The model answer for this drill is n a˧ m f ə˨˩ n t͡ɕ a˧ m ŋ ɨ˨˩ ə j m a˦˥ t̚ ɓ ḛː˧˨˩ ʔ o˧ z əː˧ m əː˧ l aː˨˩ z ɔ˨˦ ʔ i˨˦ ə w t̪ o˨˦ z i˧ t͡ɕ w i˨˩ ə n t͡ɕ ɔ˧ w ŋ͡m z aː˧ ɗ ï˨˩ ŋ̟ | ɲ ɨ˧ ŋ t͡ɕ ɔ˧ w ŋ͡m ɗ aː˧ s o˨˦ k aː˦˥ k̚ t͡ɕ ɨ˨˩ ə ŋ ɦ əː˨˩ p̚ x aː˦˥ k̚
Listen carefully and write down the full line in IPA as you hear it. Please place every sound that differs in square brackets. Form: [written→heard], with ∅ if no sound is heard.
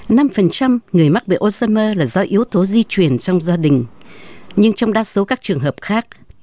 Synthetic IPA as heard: n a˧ m f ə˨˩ n t͡ɕ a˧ m ŋ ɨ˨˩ ə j m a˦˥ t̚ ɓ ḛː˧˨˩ ʔ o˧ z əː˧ m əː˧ l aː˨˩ z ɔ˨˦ ʔ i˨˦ ə w t̪ o˨˦ z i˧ t͡ɕ w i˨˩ ə n t͡ɕ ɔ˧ w ŋ͡m z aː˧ ɗ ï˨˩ ŋ̟ | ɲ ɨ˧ ŋ t͡ɕ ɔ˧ w ŋ͡m ɗ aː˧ s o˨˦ k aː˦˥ k̚ t͡ɕ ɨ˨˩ ə ŋ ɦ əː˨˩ p̚ x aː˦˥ k̚

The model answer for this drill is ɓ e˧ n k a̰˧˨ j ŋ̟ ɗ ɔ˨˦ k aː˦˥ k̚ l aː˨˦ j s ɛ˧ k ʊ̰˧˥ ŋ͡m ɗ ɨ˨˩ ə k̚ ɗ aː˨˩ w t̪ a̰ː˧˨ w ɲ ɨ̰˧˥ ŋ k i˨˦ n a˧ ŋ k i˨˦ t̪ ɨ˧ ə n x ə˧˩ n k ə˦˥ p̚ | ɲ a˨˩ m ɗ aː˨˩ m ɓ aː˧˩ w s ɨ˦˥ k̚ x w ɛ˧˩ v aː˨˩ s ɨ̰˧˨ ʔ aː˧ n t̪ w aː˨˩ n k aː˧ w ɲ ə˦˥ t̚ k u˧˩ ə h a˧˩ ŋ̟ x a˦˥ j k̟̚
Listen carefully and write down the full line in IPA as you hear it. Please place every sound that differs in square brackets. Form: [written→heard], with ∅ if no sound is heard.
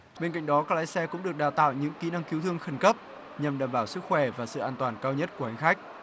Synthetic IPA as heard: ɓ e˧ n k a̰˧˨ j ŋ̟ ɗ ɔ˨˦ k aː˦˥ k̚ l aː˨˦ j s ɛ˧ k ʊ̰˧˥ ŋ͡m ɗ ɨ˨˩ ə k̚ ɗ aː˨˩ w t̪ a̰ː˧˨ w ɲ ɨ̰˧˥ ŋ k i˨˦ n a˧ ŋ k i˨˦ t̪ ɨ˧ ə [n→ŋ] x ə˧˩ n k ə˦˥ p̚ | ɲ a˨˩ m ɗ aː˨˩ m ɓ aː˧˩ w s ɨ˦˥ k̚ x w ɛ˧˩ v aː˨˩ s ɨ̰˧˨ ʔ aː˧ n t̪ w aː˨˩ n k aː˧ w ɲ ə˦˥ t̚ k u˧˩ ə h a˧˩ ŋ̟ x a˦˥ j k̟̚

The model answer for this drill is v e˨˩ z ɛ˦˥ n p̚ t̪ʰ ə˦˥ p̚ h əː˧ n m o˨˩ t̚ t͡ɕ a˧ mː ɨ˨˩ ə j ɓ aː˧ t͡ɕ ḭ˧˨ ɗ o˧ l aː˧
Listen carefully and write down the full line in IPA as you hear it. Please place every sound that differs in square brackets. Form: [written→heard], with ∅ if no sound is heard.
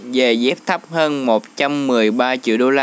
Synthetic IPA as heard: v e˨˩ z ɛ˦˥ [n→∅] p̚ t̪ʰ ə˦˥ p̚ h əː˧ n m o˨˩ t̚ t͡ɕ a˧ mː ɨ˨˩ ə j ɓ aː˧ t͡ɕ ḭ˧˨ ɗ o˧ l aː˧

